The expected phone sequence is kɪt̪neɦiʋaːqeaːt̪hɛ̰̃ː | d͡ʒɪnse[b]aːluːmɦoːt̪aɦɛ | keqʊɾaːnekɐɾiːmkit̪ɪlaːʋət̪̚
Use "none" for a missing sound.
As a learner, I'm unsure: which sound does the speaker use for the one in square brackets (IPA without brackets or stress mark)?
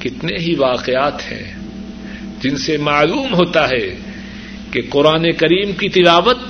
m